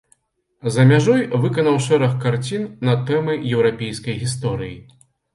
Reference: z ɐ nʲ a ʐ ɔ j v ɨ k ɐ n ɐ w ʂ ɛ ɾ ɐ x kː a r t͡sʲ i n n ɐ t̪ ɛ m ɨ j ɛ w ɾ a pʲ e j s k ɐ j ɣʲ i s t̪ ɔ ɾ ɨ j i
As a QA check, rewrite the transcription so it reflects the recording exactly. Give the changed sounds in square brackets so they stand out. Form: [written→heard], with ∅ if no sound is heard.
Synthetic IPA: z ɐ [nʲ→mʲ] a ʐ ɔ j v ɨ k ɐ n ɐ w ʂ ɛ ɾ ɐ x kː a r t͡sʲ i n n ɐ t̪ ɛ m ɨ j ɛ w ɾ a pʲ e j s k ɐ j ɣʲ i s t̪ ɔ ɾ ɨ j i